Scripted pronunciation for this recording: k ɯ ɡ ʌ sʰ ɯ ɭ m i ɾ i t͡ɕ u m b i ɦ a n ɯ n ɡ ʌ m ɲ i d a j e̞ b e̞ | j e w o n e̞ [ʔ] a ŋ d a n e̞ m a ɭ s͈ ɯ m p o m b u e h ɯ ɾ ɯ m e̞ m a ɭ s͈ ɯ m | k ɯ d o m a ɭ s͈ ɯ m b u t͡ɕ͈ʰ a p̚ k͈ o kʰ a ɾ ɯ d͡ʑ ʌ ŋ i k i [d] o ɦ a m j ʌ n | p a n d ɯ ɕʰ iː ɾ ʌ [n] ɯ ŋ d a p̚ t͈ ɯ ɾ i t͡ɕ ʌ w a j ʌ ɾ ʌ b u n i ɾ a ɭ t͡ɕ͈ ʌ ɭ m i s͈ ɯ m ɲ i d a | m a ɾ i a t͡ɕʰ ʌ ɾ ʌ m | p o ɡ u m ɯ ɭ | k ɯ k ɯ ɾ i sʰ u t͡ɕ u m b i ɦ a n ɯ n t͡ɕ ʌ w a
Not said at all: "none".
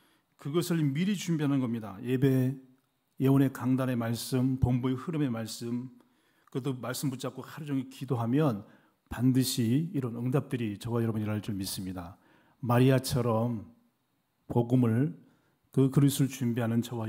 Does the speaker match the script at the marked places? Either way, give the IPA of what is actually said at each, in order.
k, d, n

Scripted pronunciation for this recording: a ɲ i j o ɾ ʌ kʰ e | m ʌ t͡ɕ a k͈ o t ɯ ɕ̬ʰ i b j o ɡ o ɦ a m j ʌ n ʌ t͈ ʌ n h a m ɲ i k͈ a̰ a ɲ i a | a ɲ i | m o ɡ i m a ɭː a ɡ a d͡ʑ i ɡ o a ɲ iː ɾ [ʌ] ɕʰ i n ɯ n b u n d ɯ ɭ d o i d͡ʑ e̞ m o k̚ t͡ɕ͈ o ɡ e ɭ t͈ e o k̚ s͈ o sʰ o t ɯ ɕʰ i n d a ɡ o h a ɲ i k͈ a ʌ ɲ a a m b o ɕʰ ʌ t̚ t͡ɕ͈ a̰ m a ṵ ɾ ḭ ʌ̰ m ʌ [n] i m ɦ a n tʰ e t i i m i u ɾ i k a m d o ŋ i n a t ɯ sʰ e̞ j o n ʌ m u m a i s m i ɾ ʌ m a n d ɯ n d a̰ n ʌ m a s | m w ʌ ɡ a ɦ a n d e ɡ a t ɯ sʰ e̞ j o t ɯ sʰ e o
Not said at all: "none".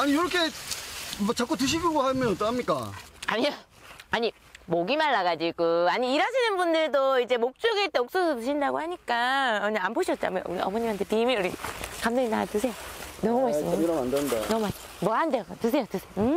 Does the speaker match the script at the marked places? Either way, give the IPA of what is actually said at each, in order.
a, ɲ

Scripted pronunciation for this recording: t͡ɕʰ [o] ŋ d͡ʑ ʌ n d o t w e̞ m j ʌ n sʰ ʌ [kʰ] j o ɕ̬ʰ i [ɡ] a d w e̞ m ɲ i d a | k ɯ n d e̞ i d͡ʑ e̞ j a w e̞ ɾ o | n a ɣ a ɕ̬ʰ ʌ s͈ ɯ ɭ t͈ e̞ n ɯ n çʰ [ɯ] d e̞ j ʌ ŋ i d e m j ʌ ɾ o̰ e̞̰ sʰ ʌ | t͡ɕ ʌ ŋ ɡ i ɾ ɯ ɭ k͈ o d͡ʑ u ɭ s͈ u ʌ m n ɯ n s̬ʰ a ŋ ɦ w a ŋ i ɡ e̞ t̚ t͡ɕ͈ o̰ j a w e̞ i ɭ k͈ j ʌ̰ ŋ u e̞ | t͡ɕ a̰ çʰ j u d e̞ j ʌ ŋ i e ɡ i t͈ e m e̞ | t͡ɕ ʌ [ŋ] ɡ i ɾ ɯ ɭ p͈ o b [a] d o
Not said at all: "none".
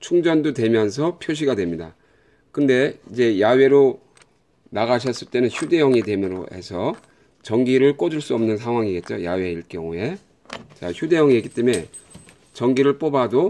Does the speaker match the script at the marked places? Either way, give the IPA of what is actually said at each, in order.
u, pʰ, ɡ, u, ŋ, a

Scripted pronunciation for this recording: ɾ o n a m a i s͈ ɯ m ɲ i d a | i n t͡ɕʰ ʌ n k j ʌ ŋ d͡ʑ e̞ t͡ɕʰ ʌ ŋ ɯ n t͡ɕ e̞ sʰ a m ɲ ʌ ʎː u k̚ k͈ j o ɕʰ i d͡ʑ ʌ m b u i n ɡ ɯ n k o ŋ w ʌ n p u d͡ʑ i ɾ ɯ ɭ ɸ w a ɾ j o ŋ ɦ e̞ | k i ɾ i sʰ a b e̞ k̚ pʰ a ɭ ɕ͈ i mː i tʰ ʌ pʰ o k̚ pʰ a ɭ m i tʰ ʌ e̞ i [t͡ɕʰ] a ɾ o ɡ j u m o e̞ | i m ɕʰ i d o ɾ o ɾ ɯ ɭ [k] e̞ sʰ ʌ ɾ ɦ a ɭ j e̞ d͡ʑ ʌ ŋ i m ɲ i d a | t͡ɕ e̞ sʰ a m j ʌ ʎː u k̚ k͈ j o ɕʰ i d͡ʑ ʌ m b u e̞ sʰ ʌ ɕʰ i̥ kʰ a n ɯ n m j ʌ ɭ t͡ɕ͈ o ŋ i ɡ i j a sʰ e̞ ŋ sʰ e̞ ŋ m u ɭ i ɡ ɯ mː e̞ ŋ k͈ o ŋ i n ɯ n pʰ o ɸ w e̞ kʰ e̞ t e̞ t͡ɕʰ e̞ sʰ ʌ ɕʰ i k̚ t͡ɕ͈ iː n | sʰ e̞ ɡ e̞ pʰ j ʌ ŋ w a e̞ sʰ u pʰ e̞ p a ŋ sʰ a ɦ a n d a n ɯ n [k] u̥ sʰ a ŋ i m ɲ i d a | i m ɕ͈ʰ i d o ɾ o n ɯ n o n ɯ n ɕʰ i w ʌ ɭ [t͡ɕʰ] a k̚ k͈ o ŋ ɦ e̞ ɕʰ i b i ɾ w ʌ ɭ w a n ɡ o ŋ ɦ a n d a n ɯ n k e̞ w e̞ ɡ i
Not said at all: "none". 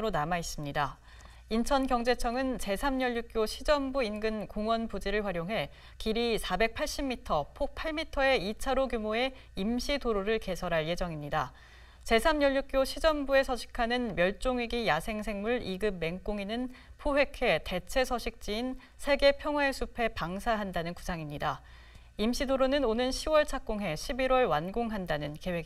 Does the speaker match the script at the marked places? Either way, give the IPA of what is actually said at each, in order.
t͡ɕʰ, k, k, t͡ɕʰ

